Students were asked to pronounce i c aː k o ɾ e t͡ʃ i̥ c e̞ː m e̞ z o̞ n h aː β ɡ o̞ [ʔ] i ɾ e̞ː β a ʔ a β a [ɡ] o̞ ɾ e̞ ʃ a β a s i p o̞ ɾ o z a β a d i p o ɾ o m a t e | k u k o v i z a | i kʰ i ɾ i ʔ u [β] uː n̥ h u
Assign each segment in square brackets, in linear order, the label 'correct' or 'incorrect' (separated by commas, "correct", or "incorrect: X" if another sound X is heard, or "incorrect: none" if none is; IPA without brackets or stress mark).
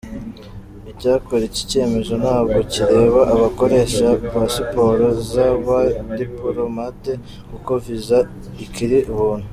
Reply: incorrect: c, incorrect: k, correct